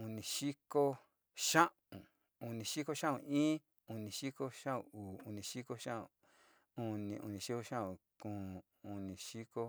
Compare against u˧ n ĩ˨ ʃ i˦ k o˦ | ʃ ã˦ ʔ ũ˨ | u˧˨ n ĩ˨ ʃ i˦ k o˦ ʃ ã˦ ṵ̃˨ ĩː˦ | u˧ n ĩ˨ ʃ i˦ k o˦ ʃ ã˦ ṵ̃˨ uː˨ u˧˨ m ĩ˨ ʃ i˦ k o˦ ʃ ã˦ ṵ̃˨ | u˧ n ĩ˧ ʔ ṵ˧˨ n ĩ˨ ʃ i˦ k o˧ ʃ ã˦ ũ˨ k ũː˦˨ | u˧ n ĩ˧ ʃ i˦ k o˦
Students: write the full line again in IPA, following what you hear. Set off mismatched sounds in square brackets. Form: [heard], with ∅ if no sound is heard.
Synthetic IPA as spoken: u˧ n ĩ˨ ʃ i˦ k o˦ | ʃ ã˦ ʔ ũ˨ | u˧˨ n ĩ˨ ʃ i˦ k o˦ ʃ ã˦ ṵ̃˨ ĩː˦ | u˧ n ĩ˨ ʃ i˦ k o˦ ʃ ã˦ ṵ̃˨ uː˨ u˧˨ [n] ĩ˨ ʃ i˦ k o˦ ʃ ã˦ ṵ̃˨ | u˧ n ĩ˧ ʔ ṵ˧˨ n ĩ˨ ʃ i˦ k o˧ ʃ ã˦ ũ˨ k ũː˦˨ | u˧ n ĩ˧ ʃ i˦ k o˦